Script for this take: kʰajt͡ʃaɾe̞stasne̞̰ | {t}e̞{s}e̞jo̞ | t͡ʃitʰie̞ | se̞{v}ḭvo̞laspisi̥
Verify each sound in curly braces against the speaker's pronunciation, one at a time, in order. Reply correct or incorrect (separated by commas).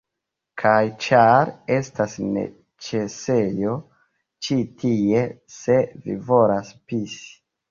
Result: incorrect, correct, correct